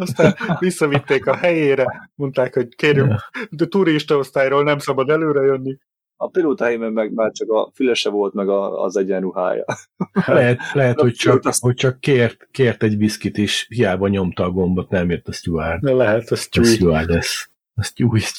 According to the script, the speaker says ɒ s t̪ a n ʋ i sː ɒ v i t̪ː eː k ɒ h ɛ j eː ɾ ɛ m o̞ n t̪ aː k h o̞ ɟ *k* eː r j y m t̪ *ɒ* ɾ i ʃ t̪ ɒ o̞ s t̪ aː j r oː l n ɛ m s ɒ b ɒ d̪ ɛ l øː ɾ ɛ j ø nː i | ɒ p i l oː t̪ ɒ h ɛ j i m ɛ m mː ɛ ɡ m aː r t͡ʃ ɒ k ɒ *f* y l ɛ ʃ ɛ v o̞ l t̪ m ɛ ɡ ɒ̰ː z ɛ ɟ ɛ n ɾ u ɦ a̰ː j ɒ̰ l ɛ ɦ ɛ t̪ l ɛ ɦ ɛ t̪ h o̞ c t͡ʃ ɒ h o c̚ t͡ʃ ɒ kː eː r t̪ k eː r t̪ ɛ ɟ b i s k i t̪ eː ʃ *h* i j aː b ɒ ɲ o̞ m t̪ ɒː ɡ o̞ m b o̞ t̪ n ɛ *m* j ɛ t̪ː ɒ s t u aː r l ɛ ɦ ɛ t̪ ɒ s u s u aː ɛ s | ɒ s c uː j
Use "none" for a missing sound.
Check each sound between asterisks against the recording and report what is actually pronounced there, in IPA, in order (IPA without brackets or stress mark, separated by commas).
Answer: k, u, f, h, m